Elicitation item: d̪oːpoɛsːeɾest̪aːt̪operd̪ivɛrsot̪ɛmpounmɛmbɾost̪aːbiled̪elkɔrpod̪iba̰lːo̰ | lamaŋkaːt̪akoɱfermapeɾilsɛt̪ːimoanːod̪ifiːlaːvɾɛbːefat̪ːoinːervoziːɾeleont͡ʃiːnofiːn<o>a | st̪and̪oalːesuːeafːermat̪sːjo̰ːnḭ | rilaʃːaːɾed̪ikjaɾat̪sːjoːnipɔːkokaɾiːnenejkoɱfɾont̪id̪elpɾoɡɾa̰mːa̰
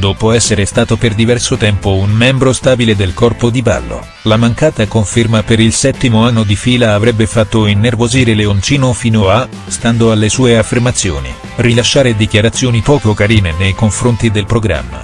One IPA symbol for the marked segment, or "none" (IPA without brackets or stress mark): o